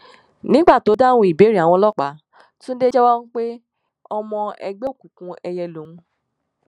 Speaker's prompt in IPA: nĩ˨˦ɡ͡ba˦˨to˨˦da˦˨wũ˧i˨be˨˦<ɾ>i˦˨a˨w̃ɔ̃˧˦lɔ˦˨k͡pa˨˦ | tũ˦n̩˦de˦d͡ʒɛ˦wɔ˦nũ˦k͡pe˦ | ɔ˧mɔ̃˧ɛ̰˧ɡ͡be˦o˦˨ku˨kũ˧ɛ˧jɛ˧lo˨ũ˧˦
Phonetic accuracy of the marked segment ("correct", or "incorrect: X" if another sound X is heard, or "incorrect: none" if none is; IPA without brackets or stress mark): correct